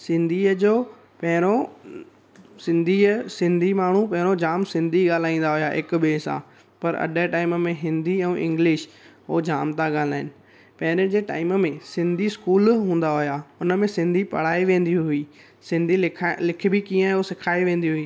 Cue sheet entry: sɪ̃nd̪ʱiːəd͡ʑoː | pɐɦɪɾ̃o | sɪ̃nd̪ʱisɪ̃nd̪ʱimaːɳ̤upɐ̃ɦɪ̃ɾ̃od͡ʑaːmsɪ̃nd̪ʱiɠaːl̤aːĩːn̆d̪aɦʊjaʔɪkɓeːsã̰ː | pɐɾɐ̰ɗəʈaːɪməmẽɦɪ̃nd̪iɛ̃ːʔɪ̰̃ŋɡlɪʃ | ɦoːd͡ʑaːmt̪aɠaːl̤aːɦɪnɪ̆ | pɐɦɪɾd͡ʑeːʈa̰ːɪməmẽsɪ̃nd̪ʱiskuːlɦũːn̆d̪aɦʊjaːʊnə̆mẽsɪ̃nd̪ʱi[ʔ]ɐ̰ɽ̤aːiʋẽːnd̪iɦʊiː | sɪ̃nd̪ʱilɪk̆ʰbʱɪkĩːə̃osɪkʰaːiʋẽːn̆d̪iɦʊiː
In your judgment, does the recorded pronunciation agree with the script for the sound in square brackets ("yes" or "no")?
no